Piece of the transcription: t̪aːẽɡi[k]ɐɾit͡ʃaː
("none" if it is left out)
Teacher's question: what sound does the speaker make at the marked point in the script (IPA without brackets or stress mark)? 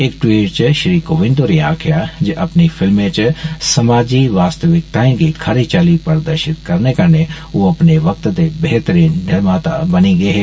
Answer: kʰ